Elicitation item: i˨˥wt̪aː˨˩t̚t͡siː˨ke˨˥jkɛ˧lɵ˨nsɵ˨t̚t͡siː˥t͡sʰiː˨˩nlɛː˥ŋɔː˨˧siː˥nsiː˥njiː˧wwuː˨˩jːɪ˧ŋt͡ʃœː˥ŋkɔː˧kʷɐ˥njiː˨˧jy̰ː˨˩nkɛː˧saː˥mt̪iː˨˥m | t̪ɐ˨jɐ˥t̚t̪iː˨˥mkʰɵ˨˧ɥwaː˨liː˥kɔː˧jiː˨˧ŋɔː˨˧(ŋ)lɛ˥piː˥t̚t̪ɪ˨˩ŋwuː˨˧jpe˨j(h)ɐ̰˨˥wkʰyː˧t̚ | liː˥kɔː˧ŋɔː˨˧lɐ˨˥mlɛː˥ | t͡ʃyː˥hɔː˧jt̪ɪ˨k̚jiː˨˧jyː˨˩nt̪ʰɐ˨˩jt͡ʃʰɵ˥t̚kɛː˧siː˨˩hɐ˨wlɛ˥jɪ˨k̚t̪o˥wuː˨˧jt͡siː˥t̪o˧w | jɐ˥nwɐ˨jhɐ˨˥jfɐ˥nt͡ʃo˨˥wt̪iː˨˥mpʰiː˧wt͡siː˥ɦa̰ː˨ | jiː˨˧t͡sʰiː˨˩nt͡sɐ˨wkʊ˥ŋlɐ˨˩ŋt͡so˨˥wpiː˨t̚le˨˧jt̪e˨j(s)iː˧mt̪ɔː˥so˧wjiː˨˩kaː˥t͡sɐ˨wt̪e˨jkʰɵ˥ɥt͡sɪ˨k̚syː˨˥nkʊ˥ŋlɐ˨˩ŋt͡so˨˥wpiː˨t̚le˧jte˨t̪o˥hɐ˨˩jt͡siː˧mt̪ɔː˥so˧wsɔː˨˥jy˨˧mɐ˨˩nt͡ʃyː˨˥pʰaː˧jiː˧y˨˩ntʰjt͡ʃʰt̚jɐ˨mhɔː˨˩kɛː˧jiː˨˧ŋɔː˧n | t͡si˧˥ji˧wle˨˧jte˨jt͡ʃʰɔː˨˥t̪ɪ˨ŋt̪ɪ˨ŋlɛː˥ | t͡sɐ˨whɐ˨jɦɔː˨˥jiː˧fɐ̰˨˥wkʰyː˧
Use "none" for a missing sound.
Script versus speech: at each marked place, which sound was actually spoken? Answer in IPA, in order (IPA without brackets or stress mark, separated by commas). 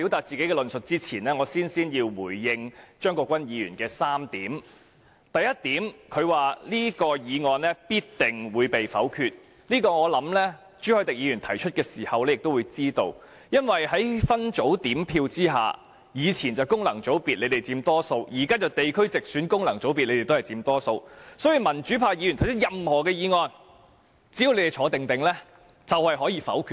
n, f, t͡s